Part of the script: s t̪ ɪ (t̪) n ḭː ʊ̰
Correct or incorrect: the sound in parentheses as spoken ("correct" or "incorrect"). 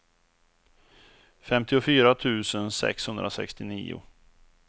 incorrect